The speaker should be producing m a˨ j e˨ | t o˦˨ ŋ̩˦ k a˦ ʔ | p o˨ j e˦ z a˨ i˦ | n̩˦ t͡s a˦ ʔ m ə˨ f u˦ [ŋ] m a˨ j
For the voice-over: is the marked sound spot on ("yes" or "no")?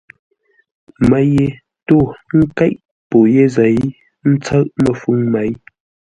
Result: yes